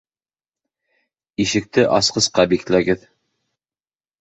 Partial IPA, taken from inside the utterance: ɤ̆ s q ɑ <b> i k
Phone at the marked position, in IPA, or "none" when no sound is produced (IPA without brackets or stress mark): b